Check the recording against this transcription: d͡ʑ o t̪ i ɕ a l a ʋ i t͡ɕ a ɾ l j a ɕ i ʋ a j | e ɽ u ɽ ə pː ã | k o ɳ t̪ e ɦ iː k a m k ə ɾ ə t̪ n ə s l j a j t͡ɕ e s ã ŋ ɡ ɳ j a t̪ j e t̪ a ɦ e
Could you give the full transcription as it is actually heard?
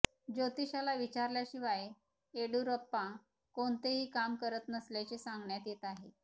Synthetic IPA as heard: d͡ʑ o t̪ i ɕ a l a ʋ i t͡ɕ a ɾ l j a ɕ i ʋ a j | e ɽ u ɾ ə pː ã | k o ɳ t̪ e ɦ iː k a m k ə ɾ ə t̪ n ə s l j a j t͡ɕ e s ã ŋ ɡ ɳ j a t̪ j e t̪ a ɦ e